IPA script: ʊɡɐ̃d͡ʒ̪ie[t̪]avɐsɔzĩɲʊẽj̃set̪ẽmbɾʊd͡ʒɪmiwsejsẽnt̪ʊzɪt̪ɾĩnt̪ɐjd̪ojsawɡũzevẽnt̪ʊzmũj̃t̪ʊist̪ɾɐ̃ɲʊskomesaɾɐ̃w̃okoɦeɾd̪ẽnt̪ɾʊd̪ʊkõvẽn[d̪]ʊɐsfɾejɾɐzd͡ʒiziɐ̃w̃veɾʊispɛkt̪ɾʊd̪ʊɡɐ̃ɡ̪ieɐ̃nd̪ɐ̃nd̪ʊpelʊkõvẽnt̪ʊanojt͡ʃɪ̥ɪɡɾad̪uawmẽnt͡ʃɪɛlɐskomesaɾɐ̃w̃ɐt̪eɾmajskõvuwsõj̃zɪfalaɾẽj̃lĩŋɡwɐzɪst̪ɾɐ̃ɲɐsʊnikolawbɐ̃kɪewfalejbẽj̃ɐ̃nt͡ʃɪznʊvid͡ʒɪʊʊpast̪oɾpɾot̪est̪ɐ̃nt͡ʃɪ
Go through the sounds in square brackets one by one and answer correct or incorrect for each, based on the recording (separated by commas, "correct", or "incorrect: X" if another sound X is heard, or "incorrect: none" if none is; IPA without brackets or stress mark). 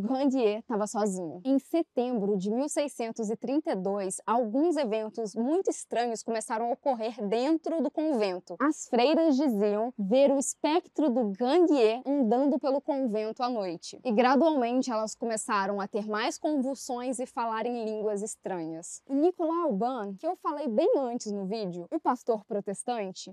correct, incorrect: t̪